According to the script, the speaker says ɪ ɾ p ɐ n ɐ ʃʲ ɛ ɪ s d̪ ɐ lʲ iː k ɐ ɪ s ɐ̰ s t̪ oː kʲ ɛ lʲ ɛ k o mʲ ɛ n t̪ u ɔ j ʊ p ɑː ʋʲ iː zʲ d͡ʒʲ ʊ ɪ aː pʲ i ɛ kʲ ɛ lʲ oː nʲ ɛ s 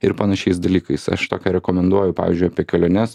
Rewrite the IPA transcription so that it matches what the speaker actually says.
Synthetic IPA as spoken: ɪ ɾ p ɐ n ɐ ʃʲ ɛ ɪ s d̪ ɐ lʲ iː k ɐ ɪ s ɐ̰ ʃ t̪ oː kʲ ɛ ɾʲ ɛ k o mʲ ɛ n d̪ u ɔ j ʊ p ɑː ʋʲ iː zʲ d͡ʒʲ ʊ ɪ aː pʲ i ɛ kʲ ɛ lʲ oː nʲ ɛ s